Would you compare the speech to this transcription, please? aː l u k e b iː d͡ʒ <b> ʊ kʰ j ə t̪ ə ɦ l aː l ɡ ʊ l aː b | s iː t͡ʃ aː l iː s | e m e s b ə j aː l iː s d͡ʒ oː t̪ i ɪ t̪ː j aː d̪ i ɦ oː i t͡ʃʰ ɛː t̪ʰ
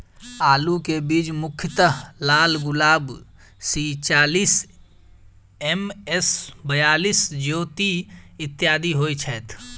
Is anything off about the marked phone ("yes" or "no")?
yes